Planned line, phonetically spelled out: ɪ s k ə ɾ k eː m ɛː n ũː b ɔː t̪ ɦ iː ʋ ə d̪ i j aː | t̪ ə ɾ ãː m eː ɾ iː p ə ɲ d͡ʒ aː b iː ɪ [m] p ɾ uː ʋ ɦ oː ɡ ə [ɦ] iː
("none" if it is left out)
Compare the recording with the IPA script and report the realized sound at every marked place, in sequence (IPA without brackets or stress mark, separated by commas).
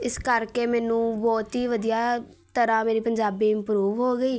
m, none